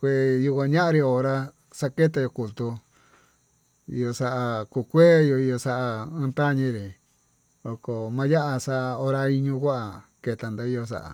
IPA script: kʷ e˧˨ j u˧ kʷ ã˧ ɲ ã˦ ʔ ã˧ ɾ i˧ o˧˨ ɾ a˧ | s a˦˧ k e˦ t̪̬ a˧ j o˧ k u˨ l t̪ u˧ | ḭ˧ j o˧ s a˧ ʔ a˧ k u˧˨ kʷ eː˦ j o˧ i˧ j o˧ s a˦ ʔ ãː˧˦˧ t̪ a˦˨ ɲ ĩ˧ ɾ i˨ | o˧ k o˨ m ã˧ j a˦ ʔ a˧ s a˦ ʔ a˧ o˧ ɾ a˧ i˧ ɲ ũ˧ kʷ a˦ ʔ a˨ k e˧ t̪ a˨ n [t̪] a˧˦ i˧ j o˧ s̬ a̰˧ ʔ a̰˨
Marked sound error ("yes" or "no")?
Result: yes